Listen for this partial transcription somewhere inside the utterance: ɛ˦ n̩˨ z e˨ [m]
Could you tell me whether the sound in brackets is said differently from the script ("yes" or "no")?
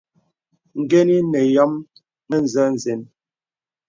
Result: yes